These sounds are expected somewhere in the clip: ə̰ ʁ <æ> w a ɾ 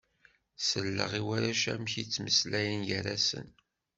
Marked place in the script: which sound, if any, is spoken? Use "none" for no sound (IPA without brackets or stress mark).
i